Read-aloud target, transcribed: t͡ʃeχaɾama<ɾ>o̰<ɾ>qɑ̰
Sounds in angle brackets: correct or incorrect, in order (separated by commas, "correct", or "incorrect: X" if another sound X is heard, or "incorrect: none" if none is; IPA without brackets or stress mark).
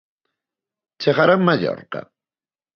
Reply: incorrect: ʎ, correct